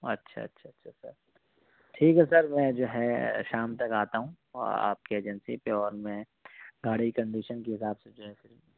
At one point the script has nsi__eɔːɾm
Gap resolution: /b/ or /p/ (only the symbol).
p